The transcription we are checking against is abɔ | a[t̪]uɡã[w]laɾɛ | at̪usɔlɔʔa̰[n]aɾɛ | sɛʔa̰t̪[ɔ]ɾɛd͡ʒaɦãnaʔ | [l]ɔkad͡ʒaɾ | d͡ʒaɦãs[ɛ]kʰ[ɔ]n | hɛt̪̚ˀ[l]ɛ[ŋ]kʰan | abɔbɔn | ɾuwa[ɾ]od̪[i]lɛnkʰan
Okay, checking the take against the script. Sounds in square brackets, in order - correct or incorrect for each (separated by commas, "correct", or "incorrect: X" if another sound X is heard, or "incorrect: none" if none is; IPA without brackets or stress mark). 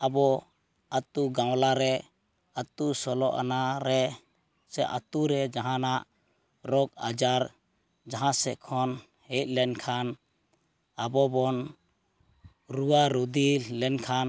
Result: correct, correct, correct, incorrect: u, incorrect: ɾ, correct, correct, correct, incorrect: n, correct, correct